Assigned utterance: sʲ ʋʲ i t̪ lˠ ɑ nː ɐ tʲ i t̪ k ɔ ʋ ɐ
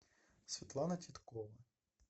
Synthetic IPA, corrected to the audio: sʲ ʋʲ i t̪ lˠ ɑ n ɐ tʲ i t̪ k ɔ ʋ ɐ